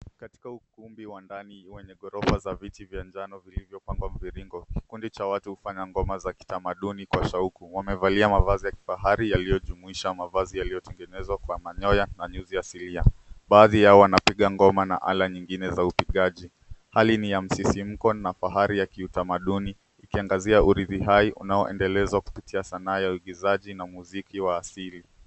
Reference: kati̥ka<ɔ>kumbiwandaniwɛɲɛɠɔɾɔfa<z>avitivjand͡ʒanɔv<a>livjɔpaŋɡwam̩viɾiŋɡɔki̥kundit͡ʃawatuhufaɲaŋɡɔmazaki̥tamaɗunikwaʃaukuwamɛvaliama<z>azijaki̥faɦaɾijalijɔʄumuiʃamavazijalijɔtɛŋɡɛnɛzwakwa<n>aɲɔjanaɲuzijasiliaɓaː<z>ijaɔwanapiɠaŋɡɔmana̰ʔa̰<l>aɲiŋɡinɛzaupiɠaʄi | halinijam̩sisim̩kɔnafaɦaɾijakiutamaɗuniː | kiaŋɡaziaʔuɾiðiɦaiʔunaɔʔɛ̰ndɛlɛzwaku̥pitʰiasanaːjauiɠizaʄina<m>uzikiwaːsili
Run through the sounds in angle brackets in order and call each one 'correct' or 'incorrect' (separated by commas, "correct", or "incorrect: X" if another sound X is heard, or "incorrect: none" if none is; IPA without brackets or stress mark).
incorrect: u, correct, incorrect: i, incorrect: v, incorrect: m, incorrect: ð, correct, correct